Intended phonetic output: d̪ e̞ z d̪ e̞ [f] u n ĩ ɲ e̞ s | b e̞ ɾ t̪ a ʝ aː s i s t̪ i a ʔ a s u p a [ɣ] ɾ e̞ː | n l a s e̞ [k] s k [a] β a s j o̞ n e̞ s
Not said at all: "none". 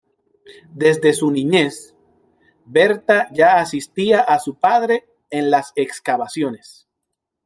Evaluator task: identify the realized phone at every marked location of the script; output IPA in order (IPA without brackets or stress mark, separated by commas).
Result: s, ð, k, a